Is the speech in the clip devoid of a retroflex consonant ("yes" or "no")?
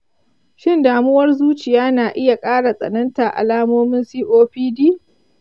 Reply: no